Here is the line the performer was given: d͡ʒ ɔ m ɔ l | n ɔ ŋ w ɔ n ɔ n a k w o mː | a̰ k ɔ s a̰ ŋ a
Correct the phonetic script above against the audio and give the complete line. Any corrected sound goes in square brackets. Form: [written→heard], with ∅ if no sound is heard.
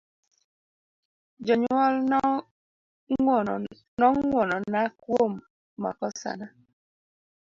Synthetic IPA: d͡ʒ ɔ [m→ɲ] ɔ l | n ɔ ŋ w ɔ n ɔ n a k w o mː | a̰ k ɔ s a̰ [ŋ→n] a